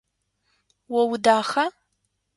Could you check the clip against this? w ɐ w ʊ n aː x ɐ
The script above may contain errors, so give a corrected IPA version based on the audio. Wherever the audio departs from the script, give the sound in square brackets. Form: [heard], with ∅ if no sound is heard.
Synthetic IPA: w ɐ w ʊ [d] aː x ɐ